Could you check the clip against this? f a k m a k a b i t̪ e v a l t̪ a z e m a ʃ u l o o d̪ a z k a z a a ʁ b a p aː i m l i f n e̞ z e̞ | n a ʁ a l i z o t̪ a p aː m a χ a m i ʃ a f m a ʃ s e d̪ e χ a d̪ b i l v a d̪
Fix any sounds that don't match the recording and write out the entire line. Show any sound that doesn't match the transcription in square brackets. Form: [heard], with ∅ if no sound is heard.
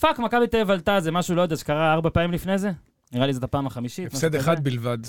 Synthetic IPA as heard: f a k m a k a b i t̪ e v a l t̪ a z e m a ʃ u l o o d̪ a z k a [ʁ] a a ʁ b a p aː i m l i f n e̞ z e̞ | n [i] ʁ a l i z o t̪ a p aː m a χ a m i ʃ [i] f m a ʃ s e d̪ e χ a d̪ b i l v a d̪